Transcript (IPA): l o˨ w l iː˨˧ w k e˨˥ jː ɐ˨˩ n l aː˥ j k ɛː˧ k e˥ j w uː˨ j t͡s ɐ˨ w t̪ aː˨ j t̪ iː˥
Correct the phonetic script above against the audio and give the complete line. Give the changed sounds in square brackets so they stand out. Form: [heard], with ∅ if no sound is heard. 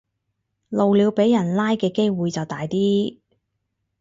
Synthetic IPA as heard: l o˨ w l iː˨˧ w [p] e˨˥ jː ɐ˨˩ n l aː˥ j k ɛː˧ k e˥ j w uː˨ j t͡s ɐ˨ w t̪ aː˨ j t̪ iː˥